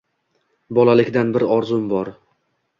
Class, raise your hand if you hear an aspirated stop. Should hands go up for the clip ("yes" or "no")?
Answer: no